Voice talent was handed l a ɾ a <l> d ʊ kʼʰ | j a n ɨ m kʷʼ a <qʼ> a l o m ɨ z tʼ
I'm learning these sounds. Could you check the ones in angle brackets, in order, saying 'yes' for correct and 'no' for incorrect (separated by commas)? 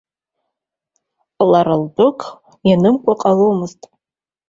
yes, yes